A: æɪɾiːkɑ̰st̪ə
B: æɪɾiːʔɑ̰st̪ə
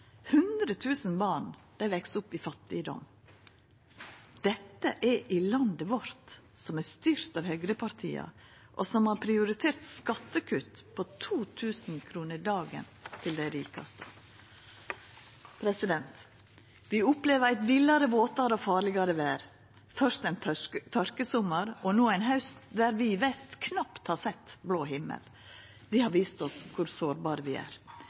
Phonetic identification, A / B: A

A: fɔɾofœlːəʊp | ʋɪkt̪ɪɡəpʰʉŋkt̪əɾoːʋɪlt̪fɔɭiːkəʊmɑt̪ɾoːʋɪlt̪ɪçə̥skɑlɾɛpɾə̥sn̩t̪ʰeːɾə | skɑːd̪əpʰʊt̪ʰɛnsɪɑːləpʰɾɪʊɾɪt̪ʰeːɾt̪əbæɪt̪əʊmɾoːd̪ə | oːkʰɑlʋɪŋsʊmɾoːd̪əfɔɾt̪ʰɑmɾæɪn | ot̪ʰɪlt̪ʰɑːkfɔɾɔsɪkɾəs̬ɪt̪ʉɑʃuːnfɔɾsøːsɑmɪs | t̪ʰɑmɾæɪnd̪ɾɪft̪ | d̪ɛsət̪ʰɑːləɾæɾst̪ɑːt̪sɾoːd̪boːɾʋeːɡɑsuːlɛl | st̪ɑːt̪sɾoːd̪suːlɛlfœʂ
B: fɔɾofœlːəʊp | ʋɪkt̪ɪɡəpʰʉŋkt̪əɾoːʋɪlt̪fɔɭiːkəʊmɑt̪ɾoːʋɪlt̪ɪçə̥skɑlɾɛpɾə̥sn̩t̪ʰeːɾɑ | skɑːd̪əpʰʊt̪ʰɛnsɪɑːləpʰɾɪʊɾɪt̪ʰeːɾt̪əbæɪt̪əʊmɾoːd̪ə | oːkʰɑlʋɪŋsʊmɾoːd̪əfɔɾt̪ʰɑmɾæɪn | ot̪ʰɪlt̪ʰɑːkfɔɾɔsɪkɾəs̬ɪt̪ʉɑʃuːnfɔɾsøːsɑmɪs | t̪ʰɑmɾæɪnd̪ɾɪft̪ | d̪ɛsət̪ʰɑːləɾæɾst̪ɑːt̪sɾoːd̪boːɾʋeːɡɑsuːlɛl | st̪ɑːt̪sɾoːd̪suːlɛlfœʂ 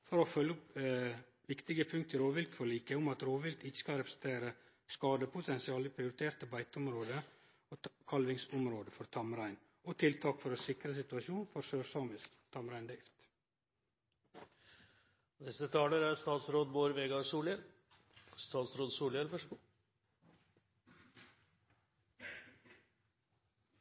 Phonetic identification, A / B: A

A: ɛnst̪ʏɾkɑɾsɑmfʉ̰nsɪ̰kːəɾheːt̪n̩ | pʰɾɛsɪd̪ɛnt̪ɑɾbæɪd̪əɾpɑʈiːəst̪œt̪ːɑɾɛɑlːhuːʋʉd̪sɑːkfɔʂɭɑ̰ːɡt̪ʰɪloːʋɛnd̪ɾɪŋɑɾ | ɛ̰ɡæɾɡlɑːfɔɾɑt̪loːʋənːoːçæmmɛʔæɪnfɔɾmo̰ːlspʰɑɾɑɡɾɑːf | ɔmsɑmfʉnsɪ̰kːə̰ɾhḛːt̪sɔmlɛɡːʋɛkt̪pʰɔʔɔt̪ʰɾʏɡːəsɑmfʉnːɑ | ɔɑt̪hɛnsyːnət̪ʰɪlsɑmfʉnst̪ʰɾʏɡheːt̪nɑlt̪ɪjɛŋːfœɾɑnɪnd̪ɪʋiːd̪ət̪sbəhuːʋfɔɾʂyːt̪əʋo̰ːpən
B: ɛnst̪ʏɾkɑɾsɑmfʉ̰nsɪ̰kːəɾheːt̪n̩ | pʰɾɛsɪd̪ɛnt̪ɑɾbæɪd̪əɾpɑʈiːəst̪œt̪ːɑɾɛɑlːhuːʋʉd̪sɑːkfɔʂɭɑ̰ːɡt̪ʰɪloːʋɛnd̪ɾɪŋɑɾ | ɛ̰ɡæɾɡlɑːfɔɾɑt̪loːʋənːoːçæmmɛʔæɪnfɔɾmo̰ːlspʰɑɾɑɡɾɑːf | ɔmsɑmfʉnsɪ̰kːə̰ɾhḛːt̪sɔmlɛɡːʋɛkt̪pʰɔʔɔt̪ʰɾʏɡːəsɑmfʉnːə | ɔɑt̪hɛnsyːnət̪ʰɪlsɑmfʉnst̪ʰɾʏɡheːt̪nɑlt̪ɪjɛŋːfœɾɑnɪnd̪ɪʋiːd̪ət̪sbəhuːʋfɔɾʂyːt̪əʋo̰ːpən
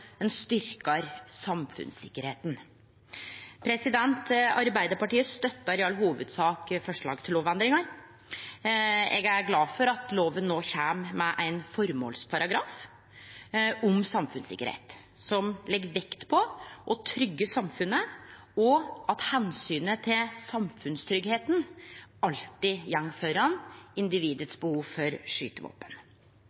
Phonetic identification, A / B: B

